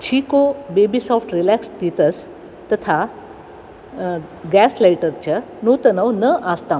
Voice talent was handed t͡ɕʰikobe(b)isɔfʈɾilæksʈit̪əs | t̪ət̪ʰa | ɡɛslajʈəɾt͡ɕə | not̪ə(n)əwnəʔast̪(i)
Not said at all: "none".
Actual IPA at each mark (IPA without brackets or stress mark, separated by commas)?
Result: b, n, a